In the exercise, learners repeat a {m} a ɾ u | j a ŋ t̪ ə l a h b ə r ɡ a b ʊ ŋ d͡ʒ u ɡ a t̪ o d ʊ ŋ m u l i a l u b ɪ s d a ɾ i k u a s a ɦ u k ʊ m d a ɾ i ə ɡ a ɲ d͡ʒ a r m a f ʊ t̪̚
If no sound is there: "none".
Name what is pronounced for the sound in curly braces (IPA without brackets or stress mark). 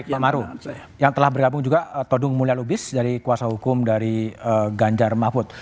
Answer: m